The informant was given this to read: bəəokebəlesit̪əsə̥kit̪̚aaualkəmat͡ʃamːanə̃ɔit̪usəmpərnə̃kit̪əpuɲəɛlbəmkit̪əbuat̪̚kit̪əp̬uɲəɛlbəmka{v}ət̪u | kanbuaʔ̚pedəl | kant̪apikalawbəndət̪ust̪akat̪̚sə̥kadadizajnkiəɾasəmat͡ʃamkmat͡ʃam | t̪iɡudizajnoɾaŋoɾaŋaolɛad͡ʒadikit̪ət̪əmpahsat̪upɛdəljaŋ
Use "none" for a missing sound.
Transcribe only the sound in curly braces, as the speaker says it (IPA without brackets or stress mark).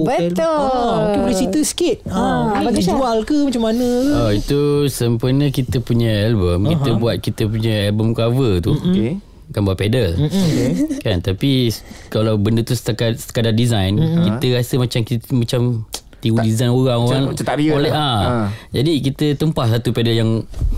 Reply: v